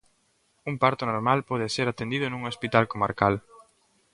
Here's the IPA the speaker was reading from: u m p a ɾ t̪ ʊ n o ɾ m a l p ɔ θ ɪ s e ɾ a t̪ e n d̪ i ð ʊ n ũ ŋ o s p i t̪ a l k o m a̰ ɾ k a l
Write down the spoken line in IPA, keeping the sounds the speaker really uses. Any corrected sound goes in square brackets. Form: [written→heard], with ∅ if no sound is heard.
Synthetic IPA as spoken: u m p a ɾ t̪ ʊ n o ɾ m a l p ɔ [θ→ð] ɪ s e ɾ a t̪ e n d̪ i ð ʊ n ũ ŋ o s p i t̪ a l k o m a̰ ɾ k a l